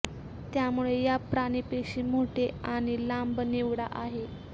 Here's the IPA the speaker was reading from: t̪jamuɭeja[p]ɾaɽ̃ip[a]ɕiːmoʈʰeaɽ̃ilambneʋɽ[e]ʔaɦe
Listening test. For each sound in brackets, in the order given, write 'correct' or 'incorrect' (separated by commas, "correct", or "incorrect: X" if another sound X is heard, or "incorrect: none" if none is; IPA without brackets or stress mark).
correct, incorrect: e, incorrect: a